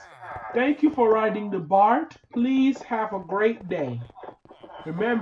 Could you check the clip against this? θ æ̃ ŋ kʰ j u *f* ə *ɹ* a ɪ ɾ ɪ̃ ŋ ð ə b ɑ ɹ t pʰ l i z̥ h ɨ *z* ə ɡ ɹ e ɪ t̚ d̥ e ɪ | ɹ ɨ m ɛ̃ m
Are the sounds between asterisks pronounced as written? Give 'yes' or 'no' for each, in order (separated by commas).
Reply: yes, yes, no